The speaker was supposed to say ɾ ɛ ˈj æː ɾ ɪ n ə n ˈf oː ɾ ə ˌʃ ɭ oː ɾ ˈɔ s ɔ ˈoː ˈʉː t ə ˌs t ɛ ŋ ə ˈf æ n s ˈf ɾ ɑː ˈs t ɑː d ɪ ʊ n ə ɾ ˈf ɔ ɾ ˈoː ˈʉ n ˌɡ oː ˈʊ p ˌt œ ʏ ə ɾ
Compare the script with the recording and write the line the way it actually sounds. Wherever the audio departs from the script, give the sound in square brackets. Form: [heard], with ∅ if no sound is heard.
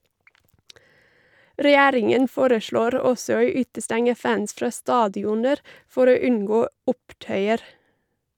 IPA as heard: ɾ ɛ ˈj æː ɾ ɪ [ŋ] ə n ˈf oː ɾ ə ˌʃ ɭ oː ɾ ˈɔ s ɔ ˈoː ˈʉː t ə ˌs t ɛ ŋ ə ˈf æ n s ˈf ɾ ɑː ˈs t ɑː d ɪ ʊ n ə ɾ ˈf ɔ ɾ ˈoː ˈʉ n ˌɡ oː ˈʊ p ˌt œ ʏ ə ɾ